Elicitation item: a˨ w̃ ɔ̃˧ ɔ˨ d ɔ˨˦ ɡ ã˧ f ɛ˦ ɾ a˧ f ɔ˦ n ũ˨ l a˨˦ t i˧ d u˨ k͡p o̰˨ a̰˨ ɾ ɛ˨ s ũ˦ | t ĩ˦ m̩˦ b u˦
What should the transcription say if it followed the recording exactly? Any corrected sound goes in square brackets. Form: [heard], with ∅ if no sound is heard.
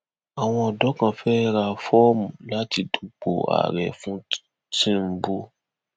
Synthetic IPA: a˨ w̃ ɔ̃˧ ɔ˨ d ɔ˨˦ [k] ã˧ f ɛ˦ ɾ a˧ f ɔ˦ [m] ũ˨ l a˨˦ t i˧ d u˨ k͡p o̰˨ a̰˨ ɾ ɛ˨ [f] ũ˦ | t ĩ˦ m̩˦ b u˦